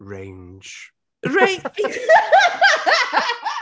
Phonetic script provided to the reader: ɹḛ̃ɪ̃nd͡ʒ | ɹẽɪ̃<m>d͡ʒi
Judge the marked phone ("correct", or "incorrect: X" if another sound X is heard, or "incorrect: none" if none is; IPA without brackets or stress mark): incorrect: n